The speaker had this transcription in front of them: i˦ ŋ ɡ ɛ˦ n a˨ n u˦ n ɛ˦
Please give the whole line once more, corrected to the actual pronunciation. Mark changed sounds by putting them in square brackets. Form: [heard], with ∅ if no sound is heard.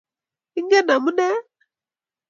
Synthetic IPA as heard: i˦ ŋ ɡ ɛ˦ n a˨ [m] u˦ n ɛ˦